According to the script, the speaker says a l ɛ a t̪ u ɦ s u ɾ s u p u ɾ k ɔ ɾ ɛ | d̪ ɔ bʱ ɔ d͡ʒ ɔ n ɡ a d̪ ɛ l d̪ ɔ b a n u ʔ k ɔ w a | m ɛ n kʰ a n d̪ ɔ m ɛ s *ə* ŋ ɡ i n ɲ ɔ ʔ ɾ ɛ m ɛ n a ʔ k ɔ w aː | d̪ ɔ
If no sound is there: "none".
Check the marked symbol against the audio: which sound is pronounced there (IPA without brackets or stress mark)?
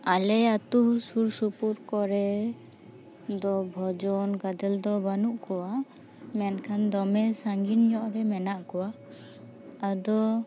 a